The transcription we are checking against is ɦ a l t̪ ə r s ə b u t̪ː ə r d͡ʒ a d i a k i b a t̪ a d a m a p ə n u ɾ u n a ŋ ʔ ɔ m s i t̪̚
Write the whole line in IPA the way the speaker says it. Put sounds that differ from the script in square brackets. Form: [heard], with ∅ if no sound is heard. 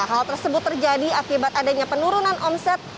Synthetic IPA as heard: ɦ a l t̪ ə r s ə b [ʊ] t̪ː ə r d͡ʒ a d i a k i b a t̪ a d a [ɲ] a p ə n u ɾ u n a [n] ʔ ɔ m s [ɛ] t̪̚